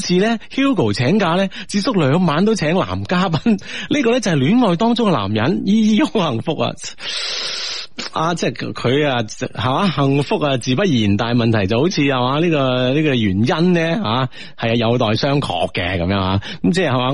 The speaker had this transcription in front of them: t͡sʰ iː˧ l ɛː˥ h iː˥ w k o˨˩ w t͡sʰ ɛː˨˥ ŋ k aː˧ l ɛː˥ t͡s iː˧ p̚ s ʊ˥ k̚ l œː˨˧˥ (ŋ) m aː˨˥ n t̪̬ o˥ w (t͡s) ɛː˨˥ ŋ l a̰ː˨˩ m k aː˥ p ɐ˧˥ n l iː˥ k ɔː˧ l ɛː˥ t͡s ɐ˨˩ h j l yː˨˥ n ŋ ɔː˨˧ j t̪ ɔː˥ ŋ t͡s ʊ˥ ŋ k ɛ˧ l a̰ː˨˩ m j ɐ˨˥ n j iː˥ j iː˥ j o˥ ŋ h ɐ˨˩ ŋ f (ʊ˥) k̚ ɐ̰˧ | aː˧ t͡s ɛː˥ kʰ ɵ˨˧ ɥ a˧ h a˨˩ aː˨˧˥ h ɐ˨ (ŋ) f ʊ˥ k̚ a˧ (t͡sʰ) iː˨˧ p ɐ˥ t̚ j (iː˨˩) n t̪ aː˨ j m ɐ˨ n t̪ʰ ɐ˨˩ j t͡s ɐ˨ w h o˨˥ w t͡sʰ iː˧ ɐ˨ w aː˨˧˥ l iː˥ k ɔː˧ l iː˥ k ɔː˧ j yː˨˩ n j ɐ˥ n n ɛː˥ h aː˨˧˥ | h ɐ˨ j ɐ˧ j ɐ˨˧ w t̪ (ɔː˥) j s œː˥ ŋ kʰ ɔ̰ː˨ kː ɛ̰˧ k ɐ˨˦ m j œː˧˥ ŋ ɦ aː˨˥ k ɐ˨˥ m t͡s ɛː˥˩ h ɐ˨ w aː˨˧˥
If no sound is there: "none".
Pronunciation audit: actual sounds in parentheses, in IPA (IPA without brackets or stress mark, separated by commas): ŋ, t͡sʰ, ʊ˥, ŋ, t͡s, iː˨˩, ɔː˨